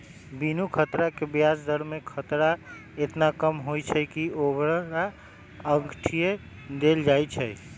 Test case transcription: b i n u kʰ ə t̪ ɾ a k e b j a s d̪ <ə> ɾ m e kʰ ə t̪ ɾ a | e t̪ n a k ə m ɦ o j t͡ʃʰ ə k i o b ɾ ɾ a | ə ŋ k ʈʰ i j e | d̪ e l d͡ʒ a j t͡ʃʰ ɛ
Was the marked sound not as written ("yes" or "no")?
no